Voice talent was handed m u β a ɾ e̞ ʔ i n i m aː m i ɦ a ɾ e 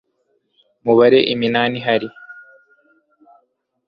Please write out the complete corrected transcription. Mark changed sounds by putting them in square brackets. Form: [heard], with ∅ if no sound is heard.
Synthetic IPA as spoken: m u β a ɾ e̞ ʔ i [m] i [n] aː [n] i ɦ a ɾ [i]

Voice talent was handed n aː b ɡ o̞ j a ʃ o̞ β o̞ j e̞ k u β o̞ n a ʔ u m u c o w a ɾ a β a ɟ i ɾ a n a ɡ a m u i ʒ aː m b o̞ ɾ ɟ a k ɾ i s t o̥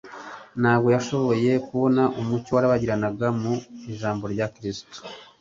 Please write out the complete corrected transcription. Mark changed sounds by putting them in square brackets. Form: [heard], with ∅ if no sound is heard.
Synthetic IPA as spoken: n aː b ɡ o̞ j a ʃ o̞ β o̞ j e̞ k u β o̞ n a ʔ u m u c o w a ɾ a β a ɟ i ɾ a n a ɡ a m u i ʒ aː m b o̞ ɾ ɟ a k ɾ i s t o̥

